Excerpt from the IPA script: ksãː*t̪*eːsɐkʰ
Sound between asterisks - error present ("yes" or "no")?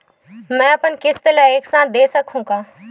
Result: yes